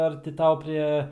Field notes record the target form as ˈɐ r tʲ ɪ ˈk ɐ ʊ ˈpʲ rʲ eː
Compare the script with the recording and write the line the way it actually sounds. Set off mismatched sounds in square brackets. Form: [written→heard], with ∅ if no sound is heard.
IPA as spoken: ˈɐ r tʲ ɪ [ˈk→ˈt] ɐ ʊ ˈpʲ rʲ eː